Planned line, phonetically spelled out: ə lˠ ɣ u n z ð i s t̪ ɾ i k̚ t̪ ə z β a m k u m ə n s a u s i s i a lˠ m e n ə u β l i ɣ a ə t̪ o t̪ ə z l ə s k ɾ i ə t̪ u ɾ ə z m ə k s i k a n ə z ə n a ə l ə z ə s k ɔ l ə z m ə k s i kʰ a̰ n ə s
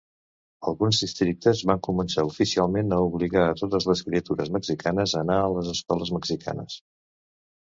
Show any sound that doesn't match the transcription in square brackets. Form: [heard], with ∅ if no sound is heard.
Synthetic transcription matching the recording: ə lˠ ɣ u n z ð i s t̪ ɾ i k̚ t̪ ə z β a [ŋ] k u m ə n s a u [f] i s i a lˠ m e n ə u β l i ɣ a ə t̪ o t̪ ə z l ə s k ɾ i ə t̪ u ɾ ə z m ə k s i k a n ə z ə n a ə l ə z ə s k ɔ l ə z m ə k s i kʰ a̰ n ə s

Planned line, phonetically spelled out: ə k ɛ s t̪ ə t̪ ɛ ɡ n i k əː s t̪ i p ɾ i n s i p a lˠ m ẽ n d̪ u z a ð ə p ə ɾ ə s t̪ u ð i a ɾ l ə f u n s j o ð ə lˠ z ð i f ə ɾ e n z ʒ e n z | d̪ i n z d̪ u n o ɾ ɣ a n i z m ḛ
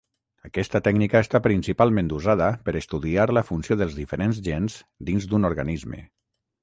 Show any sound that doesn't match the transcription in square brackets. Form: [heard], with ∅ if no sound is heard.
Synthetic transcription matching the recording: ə k ɛ s t̪ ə t̪ ɛ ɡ n i k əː s t̪ [a] p ɾ i n s i p a lˠ m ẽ n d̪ u z a ð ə p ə ɾ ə s t̪ u ð i a ɾ l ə f u n s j o ð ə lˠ z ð i f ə ɾ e n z ʒ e n z | d̪ i n z d̪ u n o ɾ ɣ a n i z m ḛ

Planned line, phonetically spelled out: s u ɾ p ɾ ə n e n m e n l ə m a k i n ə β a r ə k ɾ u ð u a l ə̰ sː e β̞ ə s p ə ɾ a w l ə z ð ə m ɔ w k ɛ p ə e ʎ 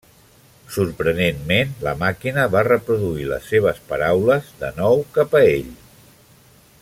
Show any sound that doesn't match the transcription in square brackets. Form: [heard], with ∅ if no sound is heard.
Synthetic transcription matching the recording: s u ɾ p ɾ ə n e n m e n l ə m a k i n ə β a r ə [p] ɾ u ð u [i] l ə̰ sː e β̞ ə s p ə ɾ a w l ə z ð ə [n] ɔ w k [a] p ə e ʎ

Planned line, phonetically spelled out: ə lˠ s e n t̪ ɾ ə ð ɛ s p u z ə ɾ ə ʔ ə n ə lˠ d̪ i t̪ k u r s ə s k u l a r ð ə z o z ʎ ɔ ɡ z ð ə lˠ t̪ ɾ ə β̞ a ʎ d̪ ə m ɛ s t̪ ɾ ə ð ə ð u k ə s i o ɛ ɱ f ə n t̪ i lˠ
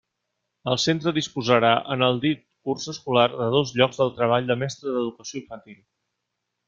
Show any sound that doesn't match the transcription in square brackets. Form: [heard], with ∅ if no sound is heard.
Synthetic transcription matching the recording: ə lˠ s e n t̪ ɾ ə ð [i] s p u z ə ɾ [a] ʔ ə n ə lˠ d̪ i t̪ k u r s ə s k u l a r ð ə [ð] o z ʎ ɔ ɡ z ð ə lˠ t̪ ɾ ə β̞ a ʎ d̪ ə m ɛ s t̪ ɾ ə ð ə ð u k ə s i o [i] ɱ f ə n t̪ i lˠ

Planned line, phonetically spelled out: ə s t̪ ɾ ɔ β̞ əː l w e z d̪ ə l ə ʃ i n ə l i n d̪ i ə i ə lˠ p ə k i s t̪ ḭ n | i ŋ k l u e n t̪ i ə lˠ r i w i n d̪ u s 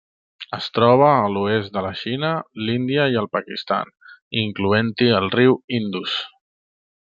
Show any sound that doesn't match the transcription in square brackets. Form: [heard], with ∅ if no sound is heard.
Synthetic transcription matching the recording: ə s t̪ ɾ ɔ β̞ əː l [u] e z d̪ ə l ə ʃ i n ə l i n d̪ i ə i ə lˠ p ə k i s t̪ [a̰] n | i ŋ k l u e n t̪ i ə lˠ r i w i n d̪ u s

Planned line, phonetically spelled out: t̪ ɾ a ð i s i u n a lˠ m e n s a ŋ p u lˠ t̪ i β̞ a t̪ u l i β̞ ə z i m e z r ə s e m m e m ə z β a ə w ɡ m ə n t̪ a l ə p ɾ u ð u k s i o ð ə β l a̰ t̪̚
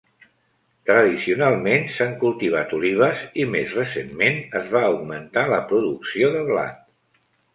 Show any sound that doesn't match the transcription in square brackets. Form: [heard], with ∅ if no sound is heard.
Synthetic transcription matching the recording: t̪ ɾ [ə] ð i s i u n a lˠ m e n s a ŋ [k] u lˠ t̪ i β̞ a t̪ u l i β̞ ə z i m e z r ə s e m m e [n] ə z β a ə w ɡ m ə n t̪ a l ə p ɾ u ð u k s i o ð ə β l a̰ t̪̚

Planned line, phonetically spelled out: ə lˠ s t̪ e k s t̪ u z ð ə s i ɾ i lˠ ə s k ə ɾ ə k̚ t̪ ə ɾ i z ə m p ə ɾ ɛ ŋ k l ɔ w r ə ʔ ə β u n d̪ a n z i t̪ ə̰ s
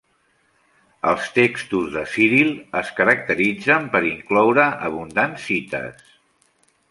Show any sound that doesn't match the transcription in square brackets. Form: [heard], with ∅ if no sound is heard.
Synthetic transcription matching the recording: ə lˠ s t̪ e k s t̪ u z ð ə s i ɾ i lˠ ə s k ə ɾ ə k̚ t̪ ə ɾ i [d͡z] ə m p ə ɾ [i] ŋ k l ɔ w [ɾ] ə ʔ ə β u n d̪ a n [s] i t̪ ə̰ s

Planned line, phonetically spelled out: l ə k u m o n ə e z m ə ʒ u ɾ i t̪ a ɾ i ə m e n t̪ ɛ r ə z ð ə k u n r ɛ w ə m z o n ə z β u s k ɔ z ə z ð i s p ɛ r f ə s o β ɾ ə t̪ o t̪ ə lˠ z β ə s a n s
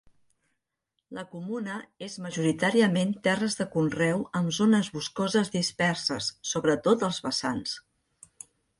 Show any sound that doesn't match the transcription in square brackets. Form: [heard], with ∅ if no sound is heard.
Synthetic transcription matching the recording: l ə k u m [u] n ə e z m ə ʒ u ɾ i t̪ a ɾ i ə m e n t̪ ɛ r ə z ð ə k u n r ɛ w ə m z o n ə z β u s k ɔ z ə z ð i s p ɛ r [s] ə [sː] o β ɾ ə t̪ o t̪ ə lˠ z β ə s a n s

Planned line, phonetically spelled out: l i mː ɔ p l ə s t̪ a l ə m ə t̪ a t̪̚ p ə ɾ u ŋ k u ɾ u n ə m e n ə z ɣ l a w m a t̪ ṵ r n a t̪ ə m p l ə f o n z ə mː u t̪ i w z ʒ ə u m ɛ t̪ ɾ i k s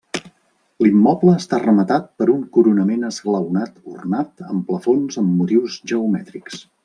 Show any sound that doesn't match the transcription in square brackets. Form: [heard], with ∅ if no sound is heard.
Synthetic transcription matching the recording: l i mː ɔ p l [əː] s t̪ a [r] ə m ə t̪ a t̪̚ p ə ɾ u ŋ k u ɾ u n ə m e n ə z ɣ l [ə] w [n] a t̪ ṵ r n a t̪ ə m p l ə f o n z ə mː u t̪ i w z ʒ ə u m ɛ t̪ ɾ i k s

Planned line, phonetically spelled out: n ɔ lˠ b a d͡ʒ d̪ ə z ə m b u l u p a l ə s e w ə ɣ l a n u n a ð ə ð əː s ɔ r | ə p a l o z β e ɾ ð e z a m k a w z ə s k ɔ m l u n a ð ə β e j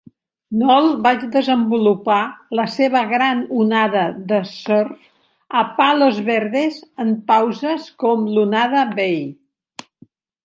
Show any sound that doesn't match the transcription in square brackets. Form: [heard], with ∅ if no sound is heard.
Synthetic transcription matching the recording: n ɔ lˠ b a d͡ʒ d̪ ə z ə m b u l u p a l ə s e [β] ə ɣ [ɾ] a n u n a ð ə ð [ə] s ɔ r | ə p a l o z β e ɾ ð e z [ə] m [p] a w z ə s k ɔ m l u n a ð ə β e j

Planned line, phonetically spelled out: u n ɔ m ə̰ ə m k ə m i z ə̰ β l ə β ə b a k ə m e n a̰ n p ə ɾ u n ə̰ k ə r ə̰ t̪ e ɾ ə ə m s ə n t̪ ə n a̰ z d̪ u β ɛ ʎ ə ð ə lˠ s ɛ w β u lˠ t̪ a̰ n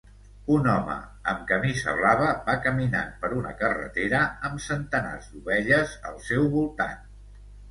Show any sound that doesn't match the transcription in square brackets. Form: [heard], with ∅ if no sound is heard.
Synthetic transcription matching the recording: u n ɔ m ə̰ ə m k ə m i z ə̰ β l [a] β ə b a k ə m [i] n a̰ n p ə ɾ u n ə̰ k ə r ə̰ t̪ e ɾ ə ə m s ə n t̪ ə n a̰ z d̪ u β ɛ ʎ ə [z] ə lˠ s ɛ w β u lˠ t̪ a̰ n

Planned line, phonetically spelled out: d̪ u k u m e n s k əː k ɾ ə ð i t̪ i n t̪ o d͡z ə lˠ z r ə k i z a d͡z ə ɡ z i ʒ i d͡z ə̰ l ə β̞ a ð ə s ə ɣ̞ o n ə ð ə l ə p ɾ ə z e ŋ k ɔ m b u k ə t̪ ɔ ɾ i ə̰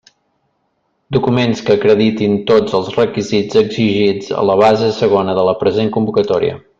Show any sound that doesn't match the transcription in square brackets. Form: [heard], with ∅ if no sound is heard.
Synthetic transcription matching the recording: d̪ u k u m e n s k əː k ɾ ə ð i t̪ i n t̪ o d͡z ə lˠ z r ə k i z [i] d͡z ə ɡ z i ʒ i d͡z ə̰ l ə β̞ a [z] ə s ə ɣ̞ o n ə ð ə l ə p ɾ ə z e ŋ k [u] m b u k ə t̪ ɔ ɾ i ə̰

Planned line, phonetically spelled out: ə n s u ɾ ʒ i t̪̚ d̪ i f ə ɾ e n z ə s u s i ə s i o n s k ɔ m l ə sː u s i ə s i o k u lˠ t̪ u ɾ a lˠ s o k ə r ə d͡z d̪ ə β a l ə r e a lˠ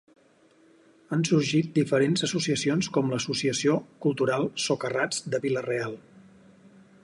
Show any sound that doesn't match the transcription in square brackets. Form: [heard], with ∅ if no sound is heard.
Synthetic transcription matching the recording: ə n s u ɾ ʒ i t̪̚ d̪ i f ə ɾ e n z ə s u s i ə s i o n s k ɔ m l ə [s] u s i ə s i o k u lˠ t̪ u ɾ a lˠ s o k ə r [a] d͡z d̪ ə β [i] l ə r e a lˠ

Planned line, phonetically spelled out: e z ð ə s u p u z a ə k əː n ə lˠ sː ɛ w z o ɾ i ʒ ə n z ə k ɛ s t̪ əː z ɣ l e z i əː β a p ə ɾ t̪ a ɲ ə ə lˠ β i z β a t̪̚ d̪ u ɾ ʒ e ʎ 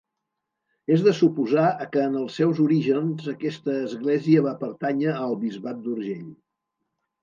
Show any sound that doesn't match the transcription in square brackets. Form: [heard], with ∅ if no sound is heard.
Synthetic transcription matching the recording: e z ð ə s u p u z a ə k əː n ə lˠ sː ɛ w z [u] ɾ i ʒ ə n z ə k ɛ s t̪ əː z ɣ l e z i [ə] β a p ə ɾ t̪ a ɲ ə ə lˠ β i z β a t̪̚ d̪ u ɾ ʒ e ʎ

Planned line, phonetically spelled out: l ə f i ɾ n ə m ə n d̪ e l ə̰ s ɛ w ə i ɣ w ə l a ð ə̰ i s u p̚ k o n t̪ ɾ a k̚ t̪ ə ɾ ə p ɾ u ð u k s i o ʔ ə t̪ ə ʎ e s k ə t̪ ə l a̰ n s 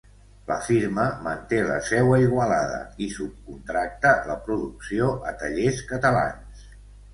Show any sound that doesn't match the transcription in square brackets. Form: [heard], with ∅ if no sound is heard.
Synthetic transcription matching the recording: l ə f i ɾ [m] ə m ə n [t̪] e l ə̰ s ɛ w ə i ɣ w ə l a ð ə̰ i s u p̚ k [u] n t̪ ɾ a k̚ t̪ ə [l] ə p ɾ u ð u k s i o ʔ ə t̪ ə ʎ e s k ə t̪ ə l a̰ n s

